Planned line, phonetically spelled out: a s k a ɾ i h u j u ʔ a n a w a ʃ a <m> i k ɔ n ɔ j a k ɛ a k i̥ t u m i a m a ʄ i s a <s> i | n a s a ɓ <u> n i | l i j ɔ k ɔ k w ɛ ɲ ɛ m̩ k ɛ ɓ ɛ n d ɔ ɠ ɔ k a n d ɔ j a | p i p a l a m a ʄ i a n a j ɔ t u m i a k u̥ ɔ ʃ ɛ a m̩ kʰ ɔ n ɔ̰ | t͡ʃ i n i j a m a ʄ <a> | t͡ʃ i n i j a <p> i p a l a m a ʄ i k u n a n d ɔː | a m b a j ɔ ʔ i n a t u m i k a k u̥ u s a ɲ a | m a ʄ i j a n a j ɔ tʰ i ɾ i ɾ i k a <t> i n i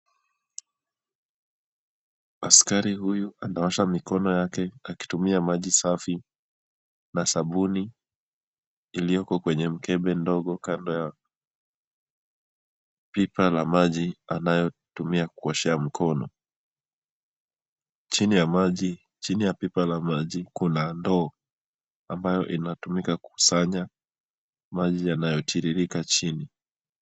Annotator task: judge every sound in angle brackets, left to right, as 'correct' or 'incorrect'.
correct, incorrect, correct, incorrect, correct, incorrect

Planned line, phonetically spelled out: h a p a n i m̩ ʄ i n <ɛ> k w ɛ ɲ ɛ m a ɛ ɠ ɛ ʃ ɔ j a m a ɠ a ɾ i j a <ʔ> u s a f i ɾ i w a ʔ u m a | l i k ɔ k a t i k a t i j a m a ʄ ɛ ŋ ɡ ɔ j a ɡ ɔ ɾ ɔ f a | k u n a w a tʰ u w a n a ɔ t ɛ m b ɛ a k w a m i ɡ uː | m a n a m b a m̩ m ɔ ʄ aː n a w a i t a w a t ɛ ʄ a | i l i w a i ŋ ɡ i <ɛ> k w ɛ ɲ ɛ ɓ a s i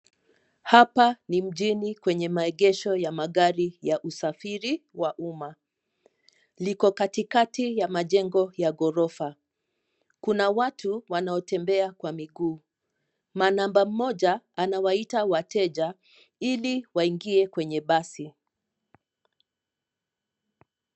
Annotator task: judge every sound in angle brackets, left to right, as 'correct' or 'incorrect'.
incorrect, correct, correct

